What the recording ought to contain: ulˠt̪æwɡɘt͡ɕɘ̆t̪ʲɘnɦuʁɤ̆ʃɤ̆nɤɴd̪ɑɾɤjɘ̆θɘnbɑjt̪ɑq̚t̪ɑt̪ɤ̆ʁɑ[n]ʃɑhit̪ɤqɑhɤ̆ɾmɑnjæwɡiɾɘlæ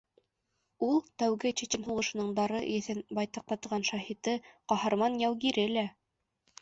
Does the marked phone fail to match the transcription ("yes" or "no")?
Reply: no